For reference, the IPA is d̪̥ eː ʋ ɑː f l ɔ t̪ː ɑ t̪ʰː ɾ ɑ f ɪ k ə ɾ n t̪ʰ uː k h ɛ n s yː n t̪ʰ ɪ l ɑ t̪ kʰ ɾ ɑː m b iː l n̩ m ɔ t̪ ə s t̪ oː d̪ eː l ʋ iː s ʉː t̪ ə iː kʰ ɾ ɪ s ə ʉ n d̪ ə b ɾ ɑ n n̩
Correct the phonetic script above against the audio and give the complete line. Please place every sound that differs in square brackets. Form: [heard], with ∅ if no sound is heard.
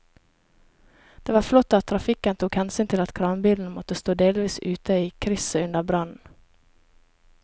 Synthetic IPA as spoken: d̪̥ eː ʋ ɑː f l ɔ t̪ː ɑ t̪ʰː ɾ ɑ f ɪ k ə [∅] n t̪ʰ uː k h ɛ n s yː n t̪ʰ ɪ l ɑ t̪ kʰ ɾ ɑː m b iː l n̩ m ɔ t̪ ə s t̪ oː d̪ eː l ʋ iː s ʉː t̪ ə iː kʰ ɾ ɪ s ə ʉ n d̪ ə b ɾ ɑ n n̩